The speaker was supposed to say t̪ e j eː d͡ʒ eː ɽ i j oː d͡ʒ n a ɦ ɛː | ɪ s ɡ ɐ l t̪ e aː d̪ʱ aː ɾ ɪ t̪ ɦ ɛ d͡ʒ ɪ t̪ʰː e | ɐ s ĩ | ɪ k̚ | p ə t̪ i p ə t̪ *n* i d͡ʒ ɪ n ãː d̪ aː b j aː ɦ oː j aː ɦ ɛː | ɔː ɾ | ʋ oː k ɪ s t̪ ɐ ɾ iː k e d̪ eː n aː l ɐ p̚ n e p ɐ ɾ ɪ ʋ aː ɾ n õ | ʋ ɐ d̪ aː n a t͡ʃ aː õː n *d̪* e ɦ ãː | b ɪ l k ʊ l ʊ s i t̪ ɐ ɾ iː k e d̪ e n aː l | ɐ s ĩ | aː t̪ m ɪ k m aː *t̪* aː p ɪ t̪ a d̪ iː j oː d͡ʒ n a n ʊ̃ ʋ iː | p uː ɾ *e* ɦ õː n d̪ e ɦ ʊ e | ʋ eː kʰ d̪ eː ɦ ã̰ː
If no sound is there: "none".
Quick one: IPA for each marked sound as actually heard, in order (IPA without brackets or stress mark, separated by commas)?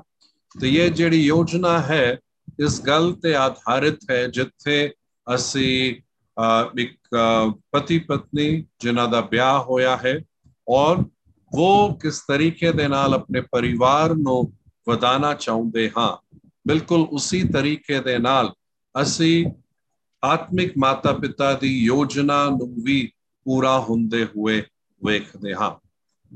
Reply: n, d̪, t̪, a